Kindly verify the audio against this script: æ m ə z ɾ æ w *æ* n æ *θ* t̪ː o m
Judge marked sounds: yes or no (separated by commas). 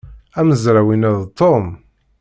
no, no